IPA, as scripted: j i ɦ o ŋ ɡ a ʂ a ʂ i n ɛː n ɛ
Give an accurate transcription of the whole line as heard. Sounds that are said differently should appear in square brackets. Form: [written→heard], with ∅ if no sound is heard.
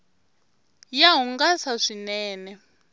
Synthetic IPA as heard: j [i→a] ɦ [o→u] ŋ ɡ a [ʂ→s] a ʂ i n ɛː n ɛ